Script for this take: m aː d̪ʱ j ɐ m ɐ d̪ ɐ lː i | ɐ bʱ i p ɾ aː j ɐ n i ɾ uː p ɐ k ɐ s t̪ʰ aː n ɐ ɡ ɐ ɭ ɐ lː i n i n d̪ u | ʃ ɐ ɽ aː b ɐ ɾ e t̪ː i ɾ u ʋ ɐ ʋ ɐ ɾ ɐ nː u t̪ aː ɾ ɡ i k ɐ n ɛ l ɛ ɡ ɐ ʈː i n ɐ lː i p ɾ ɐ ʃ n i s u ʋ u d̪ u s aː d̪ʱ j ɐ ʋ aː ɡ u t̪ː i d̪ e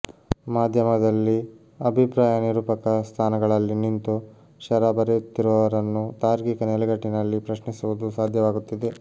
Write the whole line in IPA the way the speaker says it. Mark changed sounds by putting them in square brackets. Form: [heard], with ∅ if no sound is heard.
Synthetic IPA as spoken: m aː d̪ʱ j ɐ m ɐ d̪ ɐ lː i | ɐ bʱ i p ɾ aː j ɐ n i ɾ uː p ɐ k ɐ s t̪ʰ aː n ɐ ɡ ɐ ɭ ɐ lː i n i n [t̪] u | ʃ ɐ [ɾ] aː b ɐ ɾ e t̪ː i ɾ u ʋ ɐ ʋ ɐ ɾ ɐ nː u t̪ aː ɾ ɡ i k ɐ n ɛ l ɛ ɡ ɐ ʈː i n ɐ lː i p ɾ ɐ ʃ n i s u ʋ u d̪ u s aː d̪ʱ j ɐ ʋ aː ɡ u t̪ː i d̪ e